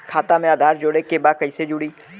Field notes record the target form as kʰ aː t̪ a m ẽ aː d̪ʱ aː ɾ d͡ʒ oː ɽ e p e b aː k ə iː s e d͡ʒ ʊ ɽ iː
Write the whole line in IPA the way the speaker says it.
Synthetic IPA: kʰ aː t̪ a m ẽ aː d̪ʱ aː ɾ d͡ʒ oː ɽ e k e b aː k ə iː s e d͡ʒ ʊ ɽ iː